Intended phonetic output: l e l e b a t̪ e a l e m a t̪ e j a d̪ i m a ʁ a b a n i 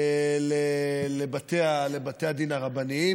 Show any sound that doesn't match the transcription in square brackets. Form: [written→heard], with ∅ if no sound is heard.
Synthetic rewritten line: l e l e b a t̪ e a l e [m→b] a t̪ e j a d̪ i [m→n] a ʁ a b a n i